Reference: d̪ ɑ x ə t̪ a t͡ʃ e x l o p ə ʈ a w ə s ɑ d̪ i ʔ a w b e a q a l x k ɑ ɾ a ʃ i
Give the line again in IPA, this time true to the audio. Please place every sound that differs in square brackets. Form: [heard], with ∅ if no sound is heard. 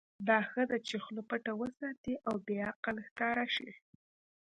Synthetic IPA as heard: d̪ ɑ x ə [d̪] a t͡ʃ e x l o p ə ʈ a w ə s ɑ [t̪] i ʔ a w b e a q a l x k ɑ ɾ a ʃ i